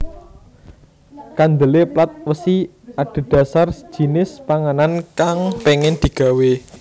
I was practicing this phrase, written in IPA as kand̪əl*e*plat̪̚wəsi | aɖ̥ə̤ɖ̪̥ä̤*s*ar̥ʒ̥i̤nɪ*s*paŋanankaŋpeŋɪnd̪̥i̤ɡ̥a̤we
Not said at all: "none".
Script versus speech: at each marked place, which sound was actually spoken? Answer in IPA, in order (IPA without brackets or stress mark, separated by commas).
e, s, s